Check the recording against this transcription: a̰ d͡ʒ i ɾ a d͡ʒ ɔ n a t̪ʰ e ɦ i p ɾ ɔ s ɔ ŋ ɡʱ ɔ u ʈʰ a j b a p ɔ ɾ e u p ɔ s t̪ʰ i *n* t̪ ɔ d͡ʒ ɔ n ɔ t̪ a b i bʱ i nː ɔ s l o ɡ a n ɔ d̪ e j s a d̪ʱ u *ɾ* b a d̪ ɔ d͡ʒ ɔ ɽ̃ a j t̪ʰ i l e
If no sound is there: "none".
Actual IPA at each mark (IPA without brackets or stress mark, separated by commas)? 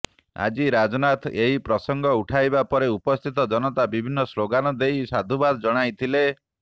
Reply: none, none